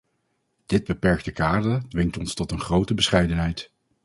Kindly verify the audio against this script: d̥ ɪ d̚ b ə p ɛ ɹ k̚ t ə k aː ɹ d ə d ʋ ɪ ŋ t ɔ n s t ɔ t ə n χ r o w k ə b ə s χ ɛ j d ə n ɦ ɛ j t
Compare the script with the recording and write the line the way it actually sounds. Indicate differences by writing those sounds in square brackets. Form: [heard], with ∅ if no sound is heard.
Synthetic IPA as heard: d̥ ɪ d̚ b ə p ɛ ɹ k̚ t ə k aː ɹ d ə d ʋ ɪ ŋ t ɔ n s t ɔ t ə n χ r o w [t] ə b ə s χ ɛ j d ə n ɦ ɛ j t

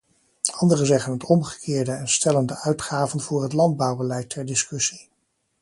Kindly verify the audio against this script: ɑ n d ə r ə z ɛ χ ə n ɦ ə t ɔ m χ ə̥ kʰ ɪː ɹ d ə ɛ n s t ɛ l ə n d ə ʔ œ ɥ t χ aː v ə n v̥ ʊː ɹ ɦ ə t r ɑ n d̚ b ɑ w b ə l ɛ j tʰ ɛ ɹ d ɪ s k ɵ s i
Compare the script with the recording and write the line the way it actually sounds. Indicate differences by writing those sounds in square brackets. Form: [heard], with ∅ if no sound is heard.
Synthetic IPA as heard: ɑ n d ə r ə z ɛ χ ə n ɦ ə t ɔ m χ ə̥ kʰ ɪː ɹ d ə ɛ n s t ɛ l ə n d ə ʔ œ ɥ t χ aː v ə n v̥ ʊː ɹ ɦ ə t [l] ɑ n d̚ b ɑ w b ə l ɛ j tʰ ɛ ɹ d ɪ s k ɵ s i

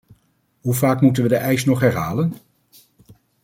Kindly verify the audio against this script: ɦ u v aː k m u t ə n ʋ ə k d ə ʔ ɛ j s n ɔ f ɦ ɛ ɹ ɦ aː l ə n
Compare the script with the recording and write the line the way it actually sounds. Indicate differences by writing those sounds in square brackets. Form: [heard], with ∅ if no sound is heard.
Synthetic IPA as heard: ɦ u v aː k m u t ə n ʋ ə [∅] d ə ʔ ɛ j s n ɔ [χ] ɦ ɛ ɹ ɦ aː l ə n

